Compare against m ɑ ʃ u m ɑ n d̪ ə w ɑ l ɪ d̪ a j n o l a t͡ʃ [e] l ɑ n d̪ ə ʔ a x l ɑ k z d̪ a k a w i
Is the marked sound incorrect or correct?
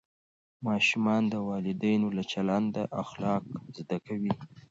incorrect: a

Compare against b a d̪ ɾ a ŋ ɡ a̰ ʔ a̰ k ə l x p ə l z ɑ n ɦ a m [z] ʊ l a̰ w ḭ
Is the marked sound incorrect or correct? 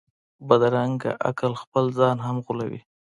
incorrect: ɣ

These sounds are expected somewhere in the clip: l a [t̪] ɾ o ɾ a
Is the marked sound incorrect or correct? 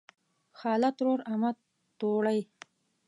correct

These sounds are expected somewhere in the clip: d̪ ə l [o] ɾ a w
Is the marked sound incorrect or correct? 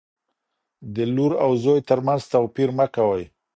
incorrect: u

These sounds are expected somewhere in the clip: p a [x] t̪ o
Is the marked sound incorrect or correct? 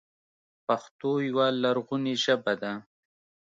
correct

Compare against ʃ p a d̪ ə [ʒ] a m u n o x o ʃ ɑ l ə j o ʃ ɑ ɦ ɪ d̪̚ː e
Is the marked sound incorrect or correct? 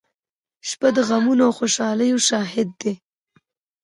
incorrect: ɣ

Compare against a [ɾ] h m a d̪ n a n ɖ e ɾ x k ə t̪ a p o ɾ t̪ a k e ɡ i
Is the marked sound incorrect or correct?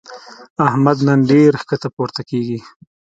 incorrect: none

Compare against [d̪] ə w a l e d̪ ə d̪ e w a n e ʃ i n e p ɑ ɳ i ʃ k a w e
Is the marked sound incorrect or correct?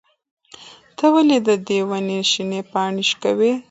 incorrect: t̪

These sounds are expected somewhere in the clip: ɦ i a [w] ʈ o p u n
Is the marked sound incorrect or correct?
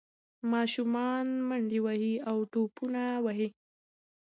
correct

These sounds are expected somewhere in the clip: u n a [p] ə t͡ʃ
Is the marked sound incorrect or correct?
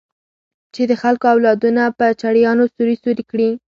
correct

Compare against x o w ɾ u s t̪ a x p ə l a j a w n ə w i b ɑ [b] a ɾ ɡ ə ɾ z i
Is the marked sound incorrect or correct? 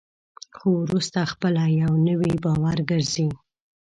incorrect: w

